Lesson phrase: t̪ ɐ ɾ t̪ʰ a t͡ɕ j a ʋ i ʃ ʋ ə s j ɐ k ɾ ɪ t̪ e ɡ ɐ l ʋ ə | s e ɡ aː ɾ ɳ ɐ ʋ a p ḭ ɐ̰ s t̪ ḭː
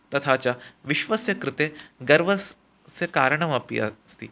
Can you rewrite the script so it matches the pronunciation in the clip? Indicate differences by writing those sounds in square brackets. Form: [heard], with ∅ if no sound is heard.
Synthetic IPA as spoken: t̪ ɐ [∅] t̪ʰ a t͡ɕ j a ʋ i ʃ ʋ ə s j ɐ k ɾ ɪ t̪ e ɡ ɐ [ɾ] ʋ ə | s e [k] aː ɾ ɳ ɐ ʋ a p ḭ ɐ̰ s t̪ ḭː